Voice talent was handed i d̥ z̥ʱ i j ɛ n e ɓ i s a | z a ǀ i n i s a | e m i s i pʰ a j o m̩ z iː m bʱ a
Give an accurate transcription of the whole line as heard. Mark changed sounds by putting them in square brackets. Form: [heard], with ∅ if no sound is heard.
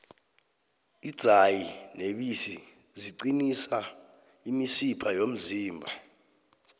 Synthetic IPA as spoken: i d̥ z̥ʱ [a] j [i] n e ɓ i s [i] | z [i] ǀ i n i s a | [i] m i s i pʰ a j o m̩ z iː m bʱ a